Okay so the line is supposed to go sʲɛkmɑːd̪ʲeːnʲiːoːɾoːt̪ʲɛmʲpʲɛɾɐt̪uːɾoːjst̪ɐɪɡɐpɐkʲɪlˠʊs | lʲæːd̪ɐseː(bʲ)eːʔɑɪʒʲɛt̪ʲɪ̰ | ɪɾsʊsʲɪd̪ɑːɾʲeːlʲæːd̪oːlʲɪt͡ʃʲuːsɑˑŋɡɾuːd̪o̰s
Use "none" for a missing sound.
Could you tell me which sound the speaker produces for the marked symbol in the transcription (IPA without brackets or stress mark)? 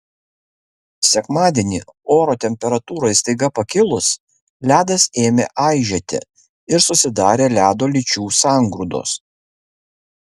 mʲ